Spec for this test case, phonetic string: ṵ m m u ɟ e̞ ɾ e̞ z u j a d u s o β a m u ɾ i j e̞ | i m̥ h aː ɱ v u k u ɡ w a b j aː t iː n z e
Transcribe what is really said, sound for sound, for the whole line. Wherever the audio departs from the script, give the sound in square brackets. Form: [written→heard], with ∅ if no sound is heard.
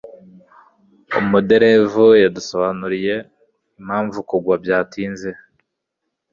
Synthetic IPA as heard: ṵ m m u [ɟ→d] e̞ ɾ e̞ [z→v] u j a d u s o β a [m→n] u ɾ i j e̞ | i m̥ h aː ɱ v u k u ɡ w a b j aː t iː n z e

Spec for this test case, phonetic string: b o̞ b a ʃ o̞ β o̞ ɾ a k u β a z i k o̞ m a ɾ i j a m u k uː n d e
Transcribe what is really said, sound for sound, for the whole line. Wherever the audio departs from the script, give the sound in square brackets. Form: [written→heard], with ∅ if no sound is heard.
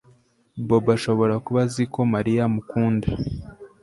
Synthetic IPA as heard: b o̞ b a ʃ o̞ β o̞ ɾ a k u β a z i k o̞ m a ɾ i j a m u k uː n d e

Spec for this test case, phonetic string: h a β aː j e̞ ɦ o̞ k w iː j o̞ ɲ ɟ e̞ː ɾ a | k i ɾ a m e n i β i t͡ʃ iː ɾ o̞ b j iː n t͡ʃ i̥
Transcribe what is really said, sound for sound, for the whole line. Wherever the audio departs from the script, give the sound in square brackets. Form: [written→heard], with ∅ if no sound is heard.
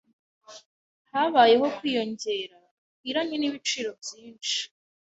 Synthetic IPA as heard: h a β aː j e̞ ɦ o̞ k w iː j o̞ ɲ ɟ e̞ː ɾ a | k i ɾ a [m→ɲ] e n i β i t͡ʃ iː ɾ o̞ b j iː n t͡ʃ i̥

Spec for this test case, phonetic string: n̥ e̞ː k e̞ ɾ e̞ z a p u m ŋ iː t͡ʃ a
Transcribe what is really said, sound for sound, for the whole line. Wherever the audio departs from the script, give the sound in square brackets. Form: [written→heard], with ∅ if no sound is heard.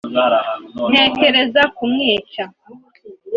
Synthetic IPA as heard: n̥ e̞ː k e̞ ɾ e̞ z a [p→k] u m ŋ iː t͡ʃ a

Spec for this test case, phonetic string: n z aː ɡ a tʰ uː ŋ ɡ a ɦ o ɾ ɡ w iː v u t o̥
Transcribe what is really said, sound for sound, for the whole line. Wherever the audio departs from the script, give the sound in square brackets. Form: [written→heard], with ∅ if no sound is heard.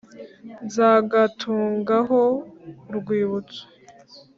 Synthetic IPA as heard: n z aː ɡ a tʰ uː ŋ ɡ a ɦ o ɾ ɡ w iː [v→β] u [t→t͡s] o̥

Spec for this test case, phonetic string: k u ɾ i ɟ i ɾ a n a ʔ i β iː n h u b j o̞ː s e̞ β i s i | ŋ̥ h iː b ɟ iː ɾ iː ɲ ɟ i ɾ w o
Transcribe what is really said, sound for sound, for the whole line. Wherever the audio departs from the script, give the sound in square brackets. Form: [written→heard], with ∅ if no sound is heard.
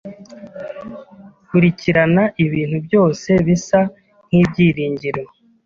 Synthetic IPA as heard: k u ɾ i [ɟ→c] i ɾ a n a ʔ i β iː n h u b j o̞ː s e̞ β i s [i→a] | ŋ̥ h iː b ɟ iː ɾ iː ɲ ɟ i ɾ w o

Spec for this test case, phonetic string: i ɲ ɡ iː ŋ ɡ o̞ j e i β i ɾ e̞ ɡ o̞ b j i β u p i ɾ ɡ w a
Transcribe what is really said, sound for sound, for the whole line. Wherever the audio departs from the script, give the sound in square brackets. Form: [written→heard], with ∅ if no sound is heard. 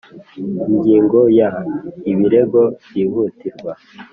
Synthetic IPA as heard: i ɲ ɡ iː ŋ ɡ o̞ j [e→a] i β i ɾ e̞ ɡ o̞ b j i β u [p→t] i ɾ ɡ w a

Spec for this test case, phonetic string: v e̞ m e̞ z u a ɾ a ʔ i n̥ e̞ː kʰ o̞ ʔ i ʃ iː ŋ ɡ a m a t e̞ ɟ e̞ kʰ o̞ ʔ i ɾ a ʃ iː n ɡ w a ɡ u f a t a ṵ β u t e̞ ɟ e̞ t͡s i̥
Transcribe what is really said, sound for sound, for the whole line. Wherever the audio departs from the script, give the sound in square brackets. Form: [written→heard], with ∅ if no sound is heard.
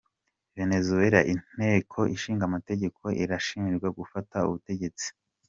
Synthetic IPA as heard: v e̞ [m→n] e̞ z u [a→e] ɾ a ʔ i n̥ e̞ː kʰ o̞ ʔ i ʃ iː ŋ ɡ a m a t e̞ ɟ e̞ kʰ o̞ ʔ i ɾ a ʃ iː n ɡ w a ɡ u f a t a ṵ β u t e̞ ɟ e̞ t͡s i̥

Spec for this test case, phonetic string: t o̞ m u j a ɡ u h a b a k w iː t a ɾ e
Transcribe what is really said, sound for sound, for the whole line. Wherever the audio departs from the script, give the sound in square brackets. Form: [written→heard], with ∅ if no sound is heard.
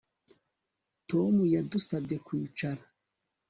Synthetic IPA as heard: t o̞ m u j a [ɡ→d] u [h→s] a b [a→e] k w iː [t→t͡ʃ] a ɾ [e→a]

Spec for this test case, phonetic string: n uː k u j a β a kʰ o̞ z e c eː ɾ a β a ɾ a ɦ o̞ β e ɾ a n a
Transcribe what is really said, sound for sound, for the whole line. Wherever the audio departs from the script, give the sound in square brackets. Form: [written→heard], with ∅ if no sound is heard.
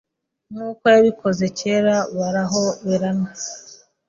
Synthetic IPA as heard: n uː k [u→o] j a β [a→i] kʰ o̞ z e c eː ɾ a β a ɾ a ɦ o̞ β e ɾ a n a

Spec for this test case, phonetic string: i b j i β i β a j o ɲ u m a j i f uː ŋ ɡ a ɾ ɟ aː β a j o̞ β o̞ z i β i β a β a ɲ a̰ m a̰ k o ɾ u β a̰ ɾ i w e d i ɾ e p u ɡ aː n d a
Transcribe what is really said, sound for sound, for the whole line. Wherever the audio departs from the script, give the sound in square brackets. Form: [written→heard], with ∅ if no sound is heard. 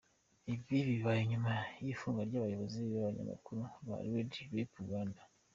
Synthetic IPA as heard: i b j i β i β a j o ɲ u m a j i f uː ŋ ɡ a ɾ ɟ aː β a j o̞ β o̞ z i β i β a β a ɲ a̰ m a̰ k [o→u] ɾ u β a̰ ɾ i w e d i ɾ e p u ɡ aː n d a

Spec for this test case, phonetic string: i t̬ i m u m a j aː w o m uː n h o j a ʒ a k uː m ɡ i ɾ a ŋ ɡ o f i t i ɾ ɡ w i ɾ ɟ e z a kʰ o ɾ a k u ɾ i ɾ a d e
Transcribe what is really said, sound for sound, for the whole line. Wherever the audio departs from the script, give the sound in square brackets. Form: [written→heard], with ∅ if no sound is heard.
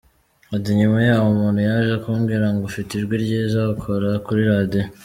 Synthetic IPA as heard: [i→a] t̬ i [m→ɲ] u m a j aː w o m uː n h [o→u] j a ʒ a k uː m ɡ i ɾ a ŋ ɡ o f i t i ɾ ɡ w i ɾ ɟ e z a kʰ o ɾ a k u ɾ i ɾ a d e

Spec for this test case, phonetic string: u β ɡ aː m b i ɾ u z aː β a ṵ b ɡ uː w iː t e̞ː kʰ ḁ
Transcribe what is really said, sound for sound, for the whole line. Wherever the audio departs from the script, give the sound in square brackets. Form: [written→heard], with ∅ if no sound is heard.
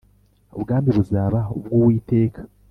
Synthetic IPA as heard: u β ɡ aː m b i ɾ u z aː β a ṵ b ɡ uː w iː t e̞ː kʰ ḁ

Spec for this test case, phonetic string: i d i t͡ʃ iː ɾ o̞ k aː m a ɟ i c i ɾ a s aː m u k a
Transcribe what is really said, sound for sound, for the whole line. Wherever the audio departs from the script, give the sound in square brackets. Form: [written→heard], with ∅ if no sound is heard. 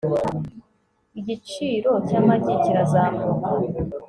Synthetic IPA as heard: i [d→ɟ] i t͡ʃ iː ɾ o̞ [k→c] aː m a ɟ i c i ɾ a [s→z] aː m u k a

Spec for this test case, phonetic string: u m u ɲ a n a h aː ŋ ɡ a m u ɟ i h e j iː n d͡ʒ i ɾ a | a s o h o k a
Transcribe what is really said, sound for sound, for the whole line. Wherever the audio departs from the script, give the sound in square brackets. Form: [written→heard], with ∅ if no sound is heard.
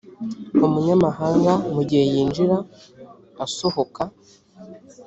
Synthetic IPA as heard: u m u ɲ a [n→m] a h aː ŋ ɡ a m u ɟ i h e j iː n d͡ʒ i ɾ a | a s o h o k a

